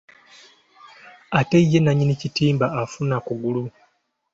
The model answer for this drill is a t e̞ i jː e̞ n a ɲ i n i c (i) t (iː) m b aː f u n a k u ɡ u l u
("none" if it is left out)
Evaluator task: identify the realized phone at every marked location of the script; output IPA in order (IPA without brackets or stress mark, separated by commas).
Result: i, iː